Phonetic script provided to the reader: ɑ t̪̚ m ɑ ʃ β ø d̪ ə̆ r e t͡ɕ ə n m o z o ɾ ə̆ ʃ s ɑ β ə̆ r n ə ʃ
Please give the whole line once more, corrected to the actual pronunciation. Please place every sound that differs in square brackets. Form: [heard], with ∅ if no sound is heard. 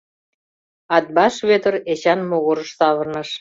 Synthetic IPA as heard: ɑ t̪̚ [b] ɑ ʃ β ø [t̪] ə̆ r e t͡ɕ [ɑ] n m o [ɣ] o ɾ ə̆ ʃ s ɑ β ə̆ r n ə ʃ